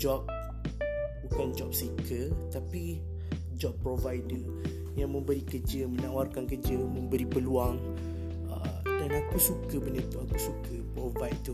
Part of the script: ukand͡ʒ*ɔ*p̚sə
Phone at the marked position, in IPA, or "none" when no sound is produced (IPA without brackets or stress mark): ɔ